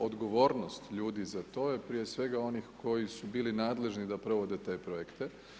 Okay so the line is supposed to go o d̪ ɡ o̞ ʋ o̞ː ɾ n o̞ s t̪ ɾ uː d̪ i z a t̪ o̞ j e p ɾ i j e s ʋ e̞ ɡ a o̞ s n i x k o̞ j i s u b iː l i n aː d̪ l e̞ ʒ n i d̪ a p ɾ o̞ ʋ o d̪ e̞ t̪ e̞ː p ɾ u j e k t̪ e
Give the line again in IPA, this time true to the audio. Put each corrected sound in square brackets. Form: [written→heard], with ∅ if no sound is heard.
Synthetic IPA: o d̪ ɡ o̞ ʋ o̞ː ɾ n o̞ s t̪ [ɾ→ʎ] uː d̪ i z a t̪ o̞ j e p ɾ i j e s ʋ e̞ ɡ a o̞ [s→∅] n i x k o̞ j i s u b iː l i n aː d̪ l e̞ ʒ n i d̪ a p ɾ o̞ ʋ o d̪ e̞ t̪ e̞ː p ɾ [u→o] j e k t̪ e